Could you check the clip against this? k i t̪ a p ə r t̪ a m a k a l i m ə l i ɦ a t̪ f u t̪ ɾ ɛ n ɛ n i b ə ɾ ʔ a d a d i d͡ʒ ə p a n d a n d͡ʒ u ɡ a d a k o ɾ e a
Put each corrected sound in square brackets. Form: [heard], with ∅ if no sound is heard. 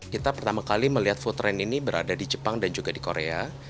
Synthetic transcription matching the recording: k i t̪ a p ə r t̪ a m a k a l i m ə l i ɦ a t̪ f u t̪ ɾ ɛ n [i] n i b ə ɾ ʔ a d a d i d͡ʒ ə p a [ŋ] d a n d͡ʒ u ɡ a d [i] k o ɾ e a